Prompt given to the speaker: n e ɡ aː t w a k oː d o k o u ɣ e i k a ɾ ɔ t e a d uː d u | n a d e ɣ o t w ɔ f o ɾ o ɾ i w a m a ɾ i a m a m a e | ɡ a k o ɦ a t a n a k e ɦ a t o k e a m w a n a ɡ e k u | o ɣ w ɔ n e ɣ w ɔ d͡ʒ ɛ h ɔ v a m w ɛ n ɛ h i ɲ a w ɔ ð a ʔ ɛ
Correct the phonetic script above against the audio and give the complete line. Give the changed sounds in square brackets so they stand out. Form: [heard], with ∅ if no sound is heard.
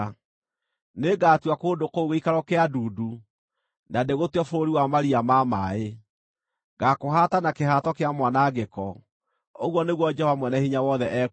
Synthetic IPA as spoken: n e ɡ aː t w a k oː d o k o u ɣ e i k a ɾ ɔ [k] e a d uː d u | n a d e ɣ o t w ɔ f o ɾ o ɾ i w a m a ɾ i a m a m a e | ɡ a k o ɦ a t a n a k e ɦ a t [ɔ] k e a m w a n a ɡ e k [ɔ] | o ɣ w ɔ n e ɣ w ɔ d͡ʒ ɛ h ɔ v a m w ɛ n ɛ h i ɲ a w ɔ ð [ɛ] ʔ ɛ